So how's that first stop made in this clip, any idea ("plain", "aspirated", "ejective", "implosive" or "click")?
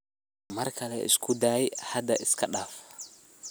aspirated